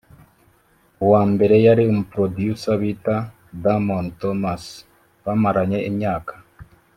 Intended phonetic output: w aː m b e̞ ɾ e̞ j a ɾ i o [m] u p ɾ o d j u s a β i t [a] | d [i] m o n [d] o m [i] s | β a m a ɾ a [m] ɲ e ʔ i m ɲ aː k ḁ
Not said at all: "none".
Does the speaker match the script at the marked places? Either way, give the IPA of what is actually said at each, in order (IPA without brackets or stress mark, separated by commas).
m, a, a, t, a, none